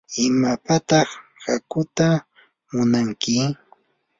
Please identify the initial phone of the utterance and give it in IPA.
ɪ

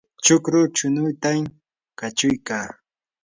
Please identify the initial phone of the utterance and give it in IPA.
t͡ʃ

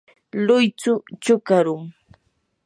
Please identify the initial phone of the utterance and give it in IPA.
l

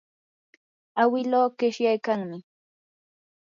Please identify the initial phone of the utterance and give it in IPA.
a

